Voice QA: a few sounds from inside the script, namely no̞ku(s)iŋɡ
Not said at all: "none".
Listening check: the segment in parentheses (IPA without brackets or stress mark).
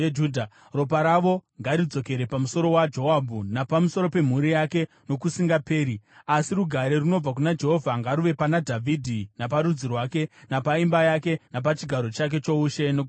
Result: s